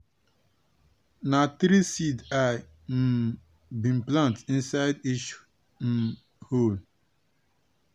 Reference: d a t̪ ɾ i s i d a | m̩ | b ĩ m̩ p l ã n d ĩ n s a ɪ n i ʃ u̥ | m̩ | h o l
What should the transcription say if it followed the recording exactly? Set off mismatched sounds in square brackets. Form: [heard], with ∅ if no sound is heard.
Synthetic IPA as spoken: [n] a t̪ ɾ i s i d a | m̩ | b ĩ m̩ p l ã n [t] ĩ n s a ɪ [d] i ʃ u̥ | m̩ | h o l